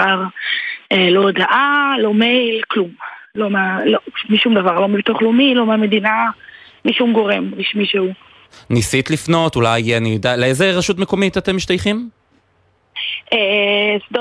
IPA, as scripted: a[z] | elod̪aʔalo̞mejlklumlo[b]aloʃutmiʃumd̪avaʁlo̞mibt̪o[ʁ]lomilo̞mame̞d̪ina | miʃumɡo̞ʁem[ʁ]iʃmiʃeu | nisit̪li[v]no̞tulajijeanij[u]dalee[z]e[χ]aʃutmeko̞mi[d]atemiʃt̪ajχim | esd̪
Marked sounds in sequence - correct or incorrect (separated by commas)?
incorrect, incorrect, incorrect, correct, incorrect, incorrect, correct, incorrect, incorrect